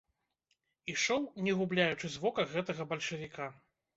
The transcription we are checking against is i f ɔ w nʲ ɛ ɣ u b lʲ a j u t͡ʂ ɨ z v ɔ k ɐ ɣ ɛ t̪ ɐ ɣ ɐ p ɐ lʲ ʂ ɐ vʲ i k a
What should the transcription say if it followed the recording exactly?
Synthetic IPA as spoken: i ʂ ɔ w nʲ ɛ ɣ u b lʲ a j u t͡ʂ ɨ z v ɔ k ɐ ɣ ɛ t̪ ɐ ɣ ɐ b ɐ lʲ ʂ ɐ vʲ i k a